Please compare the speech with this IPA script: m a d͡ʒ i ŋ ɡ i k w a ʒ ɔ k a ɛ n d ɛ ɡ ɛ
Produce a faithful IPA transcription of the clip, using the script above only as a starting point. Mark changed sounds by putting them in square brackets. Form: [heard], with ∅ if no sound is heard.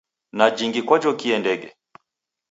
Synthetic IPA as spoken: [n] a d͡ʒ i ŋ ɡ i k w a [d͡ʒ] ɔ k [i] ɛ n d ɛ ɡ ɛ

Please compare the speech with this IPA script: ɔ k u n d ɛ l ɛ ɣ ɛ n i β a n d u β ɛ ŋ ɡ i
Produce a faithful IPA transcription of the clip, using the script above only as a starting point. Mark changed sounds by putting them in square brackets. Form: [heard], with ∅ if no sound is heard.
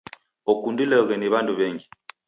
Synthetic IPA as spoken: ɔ k u n d [i] l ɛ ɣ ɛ n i β a n d u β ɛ ŋ ɡ i

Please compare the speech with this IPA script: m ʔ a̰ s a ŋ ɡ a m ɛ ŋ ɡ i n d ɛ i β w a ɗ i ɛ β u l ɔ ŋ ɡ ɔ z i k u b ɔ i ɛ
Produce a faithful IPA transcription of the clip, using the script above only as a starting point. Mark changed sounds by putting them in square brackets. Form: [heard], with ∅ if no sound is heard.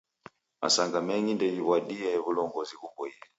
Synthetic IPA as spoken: m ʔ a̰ s a ŋ ɡ a m ɛ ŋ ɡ i n d ɛ i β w a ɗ i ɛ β u l ɔ ŋ ɡ ɔ z i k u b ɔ i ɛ

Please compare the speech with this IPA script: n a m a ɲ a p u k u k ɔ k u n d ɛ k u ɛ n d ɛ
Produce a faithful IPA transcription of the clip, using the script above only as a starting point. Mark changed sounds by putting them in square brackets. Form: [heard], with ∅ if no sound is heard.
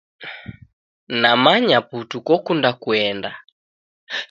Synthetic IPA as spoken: n a m a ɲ a p u [t] u k ɔ k u n d [a] k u ɛ n d [a]

